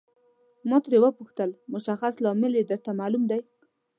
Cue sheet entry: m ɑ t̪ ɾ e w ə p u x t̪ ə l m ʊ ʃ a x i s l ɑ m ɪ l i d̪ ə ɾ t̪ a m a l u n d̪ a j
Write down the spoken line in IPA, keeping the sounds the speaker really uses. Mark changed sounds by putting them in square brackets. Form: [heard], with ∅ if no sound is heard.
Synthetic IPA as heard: m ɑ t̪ ɾ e w ə p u x t̪ ə l m ʊ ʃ a x [a] s l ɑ m ɪ l [e] d̪ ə ɾ t̪ a m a l u [m] d̪ a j